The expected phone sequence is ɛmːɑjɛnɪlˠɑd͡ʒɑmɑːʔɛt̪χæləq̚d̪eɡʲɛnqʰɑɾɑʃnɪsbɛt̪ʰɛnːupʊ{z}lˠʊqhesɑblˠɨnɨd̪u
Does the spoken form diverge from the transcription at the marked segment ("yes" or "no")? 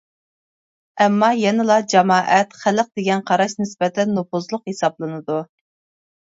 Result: no